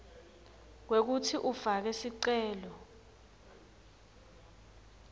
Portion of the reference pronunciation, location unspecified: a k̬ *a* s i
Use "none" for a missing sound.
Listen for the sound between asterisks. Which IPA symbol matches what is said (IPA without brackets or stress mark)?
ɛ